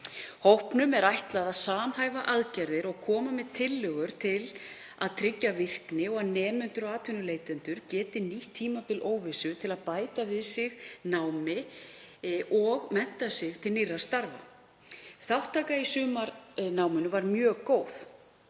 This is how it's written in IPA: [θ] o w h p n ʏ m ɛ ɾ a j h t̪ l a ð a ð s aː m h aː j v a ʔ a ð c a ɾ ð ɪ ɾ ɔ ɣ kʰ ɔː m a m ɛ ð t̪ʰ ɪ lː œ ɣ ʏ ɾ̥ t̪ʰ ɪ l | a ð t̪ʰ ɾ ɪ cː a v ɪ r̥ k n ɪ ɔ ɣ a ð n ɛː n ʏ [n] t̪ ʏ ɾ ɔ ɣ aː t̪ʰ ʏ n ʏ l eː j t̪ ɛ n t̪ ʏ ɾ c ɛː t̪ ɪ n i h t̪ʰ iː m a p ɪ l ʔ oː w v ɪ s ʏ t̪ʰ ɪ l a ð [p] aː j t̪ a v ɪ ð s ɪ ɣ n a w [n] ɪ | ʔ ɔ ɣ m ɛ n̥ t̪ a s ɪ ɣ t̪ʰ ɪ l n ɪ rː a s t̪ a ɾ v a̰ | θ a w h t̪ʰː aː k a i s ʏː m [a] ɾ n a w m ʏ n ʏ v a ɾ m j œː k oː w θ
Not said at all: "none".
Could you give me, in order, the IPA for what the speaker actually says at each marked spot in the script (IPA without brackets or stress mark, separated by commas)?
h, n, p, m, a